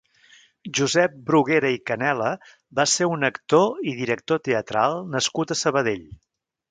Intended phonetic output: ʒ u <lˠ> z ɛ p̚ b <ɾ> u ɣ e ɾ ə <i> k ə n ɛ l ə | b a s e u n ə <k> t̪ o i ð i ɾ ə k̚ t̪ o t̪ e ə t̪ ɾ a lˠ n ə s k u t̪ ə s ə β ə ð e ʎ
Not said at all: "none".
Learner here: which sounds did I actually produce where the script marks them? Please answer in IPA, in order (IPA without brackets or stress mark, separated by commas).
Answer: none, ɾ, i, k